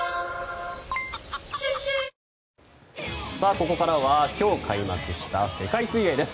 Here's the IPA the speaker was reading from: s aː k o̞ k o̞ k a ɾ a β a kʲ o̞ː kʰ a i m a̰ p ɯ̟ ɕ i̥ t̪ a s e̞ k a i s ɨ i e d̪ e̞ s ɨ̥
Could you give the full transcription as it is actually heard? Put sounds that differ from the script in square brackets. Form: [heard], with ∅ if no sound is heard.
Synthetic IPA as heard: s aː k o̞ k o̞ k a ɾ a β a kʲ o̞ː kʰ a i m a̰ [k] ɯ̟ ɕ i̥ t̪ a s e̞ k a i s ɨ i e d̪ e̞ s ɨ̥